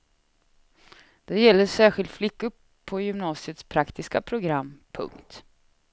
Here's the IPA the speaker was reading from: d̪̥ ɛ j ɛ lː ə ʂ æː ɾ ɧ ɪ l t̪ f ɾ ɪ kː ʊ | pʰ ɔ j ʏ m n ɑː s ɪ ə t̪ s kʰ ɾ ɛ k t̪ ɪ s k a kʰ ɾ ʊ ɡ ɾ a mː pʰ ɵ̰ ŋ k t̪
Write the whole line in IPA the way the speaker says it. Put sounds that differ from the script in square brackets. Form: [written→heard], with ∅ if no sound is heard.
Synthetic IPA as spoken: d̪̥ ɛ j ɛ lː ə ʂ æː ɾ ɧ ɪ l t̪ f [ɾ→l] ɪ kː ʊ | pʰ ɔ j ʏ m n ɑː s ɪ ə t̪ s [kʰ→pʰ] ɾ [ɛ→a] k t̪ ɪ s k a [kʰ→pʰ] ɾ ʊ ɡ ɾ a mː pʰ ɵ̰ ŋ k t̪